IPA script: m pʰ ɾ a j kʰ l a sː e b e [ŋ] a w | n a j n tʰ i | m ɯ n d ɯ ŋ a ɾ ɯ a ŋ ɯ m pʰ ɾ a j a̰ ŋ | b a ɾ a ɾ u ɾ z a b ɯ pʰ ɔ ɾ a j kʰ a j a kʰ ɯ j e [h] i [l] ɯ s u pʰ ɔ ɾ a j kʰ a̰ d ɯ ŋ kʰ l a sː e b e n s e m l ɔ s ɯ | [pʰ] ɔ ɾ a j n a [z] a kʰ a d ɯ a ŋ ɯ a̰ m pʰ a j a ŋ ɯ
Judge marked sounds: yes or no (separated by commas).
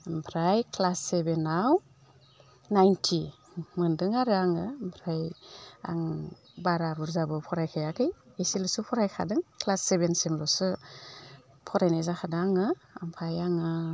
no, no, yes, yes, yes